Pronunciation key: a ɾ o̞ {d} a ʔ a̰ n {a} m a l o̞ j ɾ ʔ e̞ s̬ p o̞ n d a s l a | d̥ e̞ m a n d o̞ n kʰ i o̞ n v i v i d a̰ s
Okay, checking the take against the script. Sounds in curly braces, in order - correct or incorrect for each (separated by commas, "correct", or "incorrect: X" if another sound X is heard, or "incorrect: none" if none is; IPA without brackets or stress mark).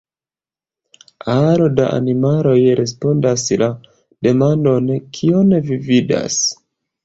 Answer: correct, incorrect: i